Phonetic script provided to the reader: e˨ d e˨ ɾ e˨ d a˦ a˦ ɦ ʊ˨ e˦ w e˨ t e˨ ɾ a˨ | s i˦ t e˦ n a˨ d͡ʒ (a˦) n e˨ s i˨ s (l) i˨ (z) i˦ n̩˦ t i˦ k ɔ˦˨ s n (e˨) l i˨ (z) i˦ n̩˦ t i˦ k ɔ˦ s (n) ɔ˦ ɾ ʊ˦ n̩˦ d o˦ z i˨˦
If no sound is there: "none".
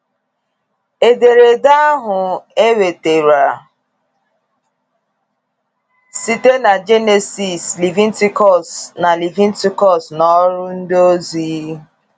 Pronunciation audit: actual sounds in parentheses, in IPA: e˦, l, v, a˨, v, n

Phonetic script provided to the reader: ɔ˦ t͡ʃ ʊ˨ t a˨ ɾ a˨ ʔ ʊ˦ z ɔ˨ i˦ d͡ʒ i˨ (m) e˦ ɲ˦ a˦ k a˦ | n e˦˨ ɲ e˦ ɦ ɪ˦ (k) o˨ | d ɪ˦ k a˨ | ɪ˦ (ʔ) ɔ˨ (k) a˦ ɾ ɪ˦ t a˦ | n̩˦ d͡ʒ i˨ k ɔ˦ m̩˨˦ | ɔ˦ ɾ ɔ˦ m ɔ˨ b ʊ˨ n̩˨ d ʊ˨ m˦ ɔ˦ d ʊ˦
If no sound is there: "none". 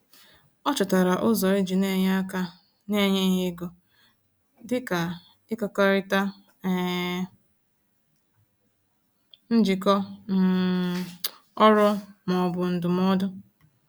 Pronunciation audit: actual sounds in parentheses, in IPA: n, ɡ, k, k

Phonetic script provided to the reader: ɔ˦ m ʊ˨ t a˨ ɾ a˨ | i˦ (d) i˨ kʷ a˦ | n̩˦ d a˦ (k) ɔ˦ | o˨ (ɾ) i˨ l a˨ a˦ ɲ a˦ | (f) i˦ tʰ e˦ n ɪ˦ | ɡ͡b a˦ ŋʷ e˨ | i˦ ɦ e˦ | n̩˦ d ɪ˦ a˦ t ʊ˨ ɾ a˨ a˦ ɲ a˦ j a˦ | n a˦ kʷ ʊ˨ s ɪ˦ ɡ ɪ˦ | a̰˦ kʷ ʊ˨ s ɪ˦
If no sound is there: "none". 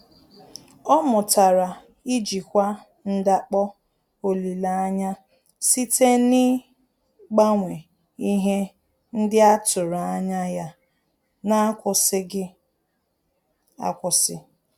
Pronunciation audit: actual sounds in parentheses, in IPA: d͡ʒ, k͡p, l, s

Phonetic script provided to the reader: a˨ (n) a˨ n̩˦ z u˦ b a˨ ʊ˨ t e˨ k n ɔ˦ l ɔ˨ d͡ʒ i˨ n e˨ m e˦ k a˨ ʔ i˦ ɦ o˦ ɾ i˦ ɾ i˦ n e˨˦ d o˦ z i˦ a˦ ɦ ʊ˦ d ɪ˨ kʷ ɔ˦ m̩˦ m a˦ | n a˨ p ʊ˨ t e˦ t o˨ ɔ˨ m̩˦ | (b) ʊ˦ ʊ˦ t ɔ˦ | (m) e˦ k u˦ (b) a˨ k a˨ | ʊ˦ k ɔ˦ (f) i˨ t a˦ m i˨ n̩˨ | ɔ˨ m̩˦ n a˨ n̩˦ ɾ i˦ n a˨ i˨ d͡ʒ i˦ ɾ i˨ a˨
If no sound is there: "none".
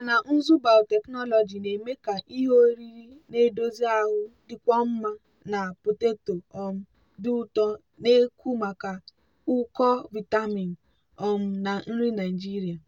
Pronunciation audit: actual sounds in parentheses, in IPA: n, d, n, m, v

